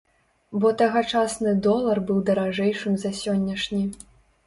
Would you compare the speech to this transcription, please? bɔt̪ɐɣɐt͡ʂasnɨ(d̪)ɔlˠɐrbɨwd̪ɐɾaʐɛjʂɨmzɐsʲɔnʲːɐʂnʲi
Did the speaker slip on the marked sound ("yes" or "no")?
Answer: no